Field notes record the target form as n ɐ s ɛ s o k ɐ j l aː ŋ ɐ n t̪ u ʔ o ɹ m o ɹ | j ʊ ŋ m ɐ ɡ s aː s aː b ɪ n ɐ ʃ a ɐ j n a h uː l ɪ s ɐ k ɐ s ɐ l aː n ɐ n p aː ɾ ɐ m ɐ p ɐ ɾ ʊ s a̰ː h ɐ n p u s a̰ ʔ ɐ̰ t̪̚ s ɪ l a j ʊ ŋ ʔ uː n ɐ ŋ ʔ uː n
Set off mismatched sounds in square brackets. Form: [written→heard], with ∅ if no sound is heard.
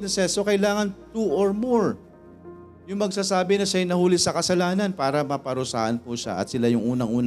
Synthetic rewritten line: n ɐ s ɛ s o k ɐ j l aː ŋ ɐ n t̪ u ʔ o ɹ m o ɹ | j ʊ ŋ m ɐ ɡ s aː s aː b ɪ n ɐ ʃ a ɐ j n [a→ɐ] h uː l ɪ s ɐ k ɐ s ɐ l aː n ɐ n p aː ɾ ɐ m ɐ p ɐ ɾ ʊ s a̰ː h ɐ n p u [s→ʃ] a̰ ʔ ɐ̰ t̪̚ s ɪ l a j ʊ ŋ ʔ uː n ɐ ŋ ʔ uː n